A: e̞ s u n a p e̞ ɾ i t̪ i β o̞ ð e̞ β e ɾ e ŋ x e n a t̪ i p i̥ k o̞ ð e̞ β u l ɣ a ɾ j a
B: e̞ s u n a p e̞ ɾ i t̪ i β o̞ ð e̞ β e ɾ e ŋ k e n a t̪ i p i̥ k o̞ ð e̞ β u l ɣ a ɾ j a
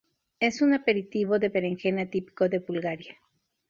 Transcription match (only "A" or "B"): A